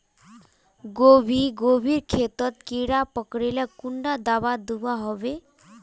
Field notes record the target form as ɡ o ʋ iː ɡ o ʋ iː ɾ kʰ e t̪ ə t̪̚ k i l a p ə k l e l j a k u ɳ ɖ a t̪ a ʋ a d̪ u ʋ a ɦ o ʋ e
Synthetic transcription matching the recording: ɡ o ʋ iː ɡ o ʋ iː ɾ kʰ e t̪ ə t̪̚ k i ɽ a p ə k ɽ e l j a k u ɳ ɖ a d̪ a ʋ a d̪ u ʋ a ɦ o ʋ e